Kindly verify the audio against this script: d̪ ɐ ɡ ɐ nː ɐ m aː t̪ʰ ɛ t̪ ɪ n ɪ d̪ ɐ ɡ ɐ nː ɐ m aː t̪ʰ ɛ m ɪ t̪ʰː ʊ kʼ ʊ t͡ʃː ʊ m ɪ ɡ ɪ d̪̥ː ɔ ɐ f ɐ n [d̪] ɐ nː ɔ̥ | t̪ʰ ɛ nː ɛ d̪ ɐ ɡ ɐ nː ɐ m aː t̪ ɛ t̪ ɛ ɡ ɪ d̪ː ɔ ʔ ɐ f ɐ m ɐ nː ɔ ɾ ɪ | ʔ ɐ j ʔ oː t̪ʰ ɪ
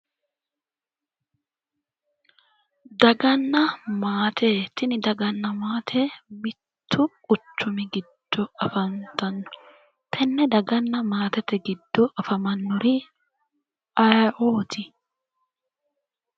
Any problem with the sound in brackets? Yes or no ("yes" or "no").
yes